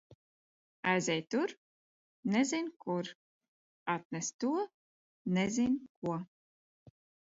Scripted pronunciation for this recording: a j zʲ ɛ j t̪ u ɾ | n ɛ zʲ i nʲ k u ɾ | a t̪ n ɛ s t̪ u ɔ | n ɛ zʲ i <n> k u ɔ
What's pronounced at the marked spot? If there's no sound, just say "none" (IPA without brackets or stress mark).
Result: n